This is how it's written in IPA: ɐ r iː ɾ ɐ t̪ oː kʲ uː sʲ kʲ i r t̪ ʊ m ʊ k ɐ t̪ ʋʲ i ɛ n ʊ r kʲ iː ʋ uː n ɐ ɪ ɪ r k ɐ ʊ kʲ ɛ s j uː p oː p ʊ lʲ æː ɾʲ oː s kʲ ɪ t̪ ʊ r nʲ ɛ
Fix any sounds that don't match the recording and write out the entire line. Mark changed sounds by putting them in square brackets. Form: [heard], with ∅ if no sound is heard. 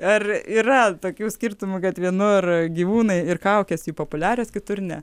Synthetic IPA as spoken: ɐ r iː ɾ ɐ t̪ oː kʲ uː sʲ kʲ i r t̪ ʊ m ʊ k ɐ t̪ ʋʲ i ɛ n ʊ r [ɡʲ] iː ʋ uː n ɐ ɪ ɪ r k ɐ ʊ kʲ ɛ s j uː p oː p ʊ lʲ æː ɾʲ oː s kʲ ɪ t̪ ʊ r nʲ ɛ